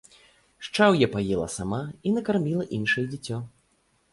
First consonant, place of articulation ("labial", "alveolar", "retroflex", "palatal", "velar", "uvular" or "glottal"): retroflex